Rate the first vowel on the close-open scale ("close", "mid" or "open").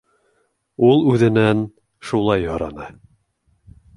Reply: close